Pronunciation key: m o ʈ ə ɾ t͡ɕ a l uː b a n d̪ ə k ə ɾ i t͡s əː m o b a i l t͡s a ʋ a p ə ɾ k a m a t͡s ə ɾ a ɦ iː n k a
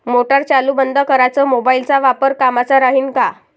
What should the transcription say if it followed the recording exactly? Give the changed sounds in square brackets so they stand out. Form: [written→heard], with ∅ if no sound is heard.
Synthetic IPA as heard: m o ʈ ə ɾ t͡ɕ a l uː b [a→ə] n d̪ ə k ə ɾ [i→a] t͡s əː m o b a i l t͡s a ʋ a p ə ɾ k a m a t͡s [ə→a] ɾ a ɦ iː n k a